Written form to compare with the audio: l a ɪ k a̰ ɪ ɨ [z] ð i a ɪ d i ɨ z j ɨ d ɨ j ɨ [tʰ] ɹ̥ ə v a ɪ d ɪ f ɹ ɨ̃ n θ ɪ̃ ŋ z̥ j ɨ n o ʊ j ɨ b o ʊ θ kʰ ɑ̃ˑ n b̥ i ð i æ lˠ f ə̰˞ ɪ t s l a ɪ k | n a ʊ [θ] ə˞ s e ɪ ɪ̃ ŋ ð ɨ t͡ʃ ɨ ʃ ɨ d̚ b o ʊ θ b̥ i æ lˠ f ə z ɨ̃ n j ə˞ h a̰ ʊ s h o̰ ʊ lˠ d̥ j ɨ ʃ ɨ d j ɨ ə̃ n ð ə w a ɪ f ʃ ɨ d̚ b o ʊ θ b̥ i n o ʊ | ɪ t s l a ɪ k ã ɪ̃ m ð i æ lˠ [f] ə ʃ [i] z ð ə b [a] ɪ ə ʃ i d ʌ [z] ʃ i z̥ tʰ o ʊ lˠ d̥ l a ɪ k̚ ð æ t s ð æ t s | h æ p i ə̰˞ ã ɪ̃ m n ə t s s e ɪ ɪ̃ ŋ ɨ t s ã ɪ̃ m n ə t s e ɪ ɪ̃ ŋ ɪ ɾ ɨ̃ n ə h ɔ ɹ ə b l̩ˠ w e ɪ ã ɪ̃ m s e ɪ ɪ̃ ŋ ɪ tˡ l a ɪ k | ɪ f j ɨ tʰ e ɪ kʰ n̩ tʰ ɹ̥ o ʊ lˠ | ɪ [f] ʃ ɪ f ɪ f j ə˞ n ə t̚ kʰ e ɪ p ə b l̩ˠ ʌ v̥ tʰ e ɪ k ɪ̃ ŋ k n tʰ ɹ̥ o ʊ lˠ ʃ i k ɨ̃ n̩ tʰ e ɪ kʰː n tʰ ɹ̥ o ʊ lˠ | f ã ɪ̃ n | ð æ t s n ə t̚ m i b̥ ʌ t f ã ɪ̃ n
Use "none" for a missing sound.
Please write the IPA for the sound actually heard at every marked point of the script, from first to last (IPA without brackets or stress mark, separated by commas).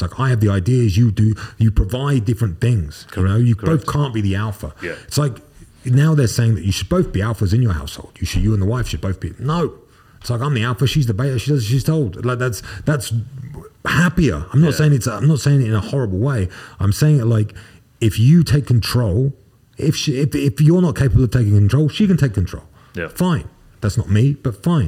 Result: v, pʰ, ð, f, i, e, z, f